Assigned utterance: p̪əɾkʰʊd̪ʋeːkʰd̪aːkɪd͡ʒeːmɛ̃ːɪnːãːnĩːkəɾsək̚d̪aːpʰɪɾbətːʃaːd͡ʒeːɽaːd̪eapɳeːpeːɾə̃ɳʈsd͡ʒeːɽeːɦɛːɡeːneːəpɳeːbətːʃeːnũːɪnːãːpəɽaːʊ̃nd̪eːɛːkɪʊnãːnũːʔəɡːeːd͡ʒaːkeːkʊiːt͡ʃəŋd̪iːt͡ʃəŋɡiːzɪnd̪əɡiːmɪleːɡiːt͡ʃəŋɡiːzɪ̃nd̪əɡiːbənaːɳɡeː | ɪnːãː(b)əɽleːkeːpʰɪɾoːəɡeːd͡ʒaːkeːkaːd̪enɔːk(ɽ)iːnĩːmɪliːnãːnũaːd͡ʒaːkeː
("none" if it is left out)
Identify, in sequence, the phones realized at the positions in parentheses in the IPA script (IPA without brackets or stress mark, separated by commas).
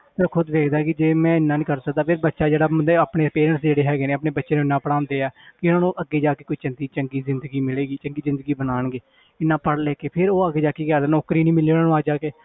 p, ɾ